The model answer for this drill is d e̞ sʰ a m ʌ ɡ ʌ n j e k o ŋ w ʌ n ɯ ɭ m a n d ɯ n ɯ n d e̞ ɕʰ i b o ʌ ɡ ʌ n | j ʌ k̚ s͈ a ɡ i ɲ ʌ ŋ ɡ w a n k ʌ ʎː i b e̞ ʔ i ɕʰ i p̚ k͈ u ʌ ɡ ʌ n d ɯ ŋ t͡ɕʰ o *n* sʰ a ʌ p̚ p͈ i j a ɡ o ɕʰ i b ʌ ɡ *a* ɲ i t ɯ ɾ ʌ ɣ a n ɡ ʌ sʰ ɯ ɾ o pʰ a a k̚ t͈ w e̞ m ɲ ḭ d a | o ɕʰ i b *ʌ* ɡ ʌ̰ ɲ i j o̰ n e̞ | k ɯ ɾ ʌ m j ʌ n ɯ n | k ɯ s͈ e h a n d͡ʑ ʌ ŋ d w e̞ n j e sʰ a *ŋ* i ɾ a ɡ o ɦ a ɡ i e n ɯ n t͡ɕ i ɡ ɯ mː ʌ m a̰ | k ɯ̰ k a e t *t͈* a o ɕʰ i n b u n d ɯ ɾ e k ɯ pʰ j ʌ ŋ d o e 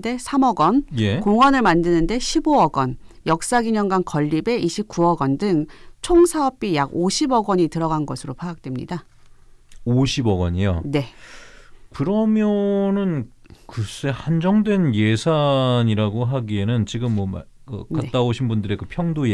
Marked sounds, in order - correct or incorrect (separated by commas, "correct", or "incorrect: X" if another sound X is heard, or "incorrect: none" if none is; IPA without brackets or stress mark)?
incorrect: ŋ, incorrect: ʌ, correct, incorrect: ɲ, correct